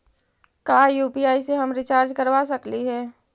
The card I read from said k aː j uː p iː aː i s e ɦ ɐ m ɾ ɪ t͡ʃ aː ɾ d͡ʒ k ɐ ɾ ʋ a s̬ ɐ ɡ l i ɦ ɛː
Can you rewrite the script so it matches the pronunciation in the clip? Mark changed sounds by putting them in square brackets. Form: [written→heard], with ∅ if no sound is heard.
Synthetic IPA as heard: k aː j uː p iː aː i s e ɦ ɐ m ɾ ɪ t͡ʃ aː ɾ d͡ʒ k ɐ ɾ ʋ a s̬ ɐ [ɡ→k] l i ɦ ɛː